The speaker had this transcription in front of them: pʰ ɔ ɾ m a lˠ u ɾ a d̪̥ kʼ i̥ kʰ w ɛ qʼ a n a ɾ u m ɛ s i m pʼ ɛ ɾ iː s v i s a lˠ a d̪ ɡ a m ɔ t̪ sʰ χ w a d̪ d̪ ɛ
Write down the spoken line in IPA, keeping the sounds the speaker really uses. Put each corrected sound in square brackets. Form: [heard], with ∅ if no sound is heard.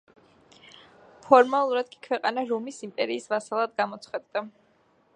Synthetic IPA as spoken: pʰ ɔ ɾ m a lˠ u ɾ a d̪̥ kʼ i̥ kʰ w ɛ qʼ a n a ɾ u m [i] s i m pʼ ɛ ɾ iː s v [a] s a lˠ a d̪ ɡ a m ɔ t̪ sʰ χ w a d̪ d̪ [a]